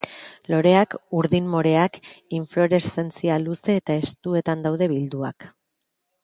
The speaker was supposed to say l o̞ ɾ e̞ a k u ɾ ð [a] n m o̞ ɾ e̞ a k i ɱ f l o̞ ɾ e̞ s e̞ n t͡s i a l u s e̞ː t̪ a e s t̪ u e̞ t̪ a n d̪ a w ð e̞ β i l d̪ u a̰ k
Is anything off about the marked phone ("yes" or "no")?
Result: yes